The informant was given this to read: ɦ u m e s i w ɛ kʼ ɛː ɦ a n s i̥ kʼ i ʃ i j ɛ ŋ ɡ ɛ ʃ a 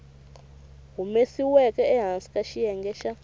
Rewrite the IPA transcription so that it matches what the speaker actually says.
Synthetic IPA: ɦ u m e s i w ɛ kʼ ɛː ɦ a n s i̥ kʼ a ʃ i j ɛ ŋ ɡ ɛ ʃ a